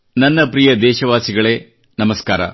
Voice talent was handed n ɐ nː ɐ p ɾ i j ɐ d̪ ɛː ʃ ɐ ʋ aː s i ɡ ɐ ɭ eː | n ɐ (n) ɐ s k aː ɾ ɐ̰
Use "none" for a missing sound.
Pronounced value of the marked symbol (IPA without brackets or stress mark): m